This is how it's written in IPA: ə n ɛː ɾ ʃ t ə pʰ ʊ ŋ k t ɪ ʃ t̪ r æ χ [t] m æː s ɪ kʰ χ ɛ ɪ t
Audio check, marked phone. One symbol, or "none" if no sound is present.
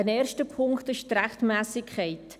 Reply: t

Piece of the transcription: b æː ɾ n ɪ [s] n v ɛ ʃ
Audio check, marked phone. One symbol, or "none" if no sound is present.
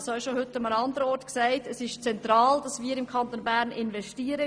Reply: none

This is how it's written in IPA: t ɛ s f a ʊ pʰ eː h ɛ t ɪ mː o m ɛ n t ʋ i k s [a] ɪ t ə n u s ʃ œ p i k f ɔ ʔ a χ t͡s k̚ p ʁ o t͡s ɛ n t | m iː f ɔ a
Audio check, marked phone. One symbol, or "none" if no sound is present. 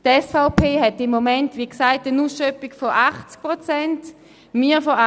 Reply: a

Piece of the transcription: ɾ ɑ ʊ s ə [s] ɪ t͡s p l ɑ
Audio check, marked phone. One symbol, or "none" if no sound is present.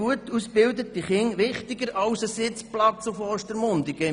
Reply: s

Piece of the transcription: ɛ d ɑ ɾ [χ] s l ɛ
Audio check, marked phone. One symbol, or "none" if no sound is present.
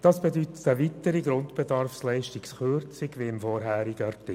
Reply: f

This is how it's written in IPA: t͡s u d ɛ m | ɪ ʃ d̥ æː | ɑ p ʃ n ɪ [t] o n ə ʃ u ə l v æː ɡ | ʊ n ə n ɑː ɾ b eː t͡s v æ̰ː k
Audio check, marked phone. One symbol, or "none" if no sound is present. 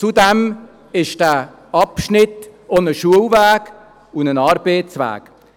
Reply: t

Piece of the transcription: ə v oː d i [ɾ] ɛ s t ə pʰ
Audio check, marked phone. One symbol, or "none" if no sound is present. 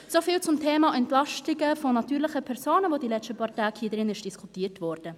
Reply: l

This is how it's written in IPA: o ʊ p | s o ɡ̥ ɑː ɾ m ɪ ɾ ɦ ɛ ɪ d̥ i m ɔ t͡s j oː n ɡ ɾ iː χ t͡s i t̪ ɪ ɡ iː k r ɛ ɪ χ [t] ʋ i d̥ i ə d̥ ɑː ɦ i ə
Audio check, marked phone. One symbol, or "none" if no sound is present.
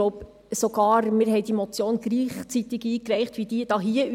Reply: t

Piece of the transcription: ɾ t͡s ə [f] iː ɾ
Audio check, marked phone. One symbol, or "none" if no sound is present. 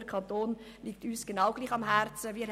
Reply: v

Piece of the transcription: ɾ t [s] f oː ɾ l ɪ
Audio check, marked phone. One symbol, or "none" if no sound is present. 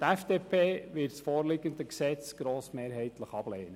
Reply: s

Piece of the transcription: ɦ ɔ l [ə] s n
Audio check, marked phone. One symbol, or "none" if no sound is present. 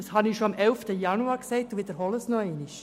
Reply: ə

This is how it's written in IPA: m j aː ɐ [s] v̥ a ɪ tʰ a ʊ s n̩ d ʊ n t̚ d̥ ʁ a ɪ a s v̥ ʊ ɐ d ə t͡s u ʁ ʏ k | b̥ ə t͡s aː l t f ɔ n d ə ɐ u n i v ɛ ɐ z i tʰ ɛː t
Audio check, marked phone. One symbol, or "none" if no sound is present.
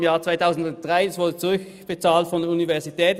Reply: t͡s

